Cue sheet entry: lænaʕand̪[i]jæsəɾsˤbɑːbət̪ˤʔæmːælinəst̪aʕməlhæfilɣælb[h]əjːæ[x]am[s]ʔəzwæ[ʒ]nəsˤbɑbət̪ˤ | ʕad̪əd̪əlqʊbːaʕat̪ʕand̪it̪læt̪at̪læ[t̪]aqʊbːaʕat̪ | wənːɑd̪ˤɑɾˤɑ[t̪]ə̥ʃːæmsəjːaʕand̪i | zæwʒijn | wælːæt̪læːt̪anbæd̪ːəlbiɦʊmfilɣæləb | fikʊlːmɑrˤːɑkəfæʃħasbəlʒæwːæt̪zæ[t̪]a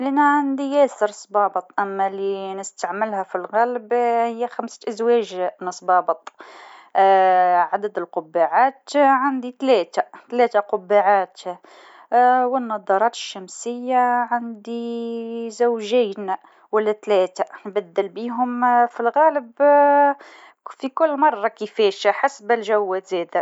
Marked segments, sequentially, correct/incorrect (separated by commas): correct, correct, correct, correct, correct, correct, correct, incorrect